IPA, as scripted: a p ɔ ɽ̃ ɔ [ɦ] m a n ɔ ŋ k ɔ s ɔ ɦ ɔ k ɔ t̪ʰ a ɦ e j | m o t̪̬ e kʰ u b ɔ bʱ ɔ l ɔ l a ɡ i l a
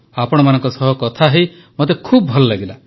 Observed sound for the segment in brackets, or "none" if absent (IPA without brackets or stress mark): none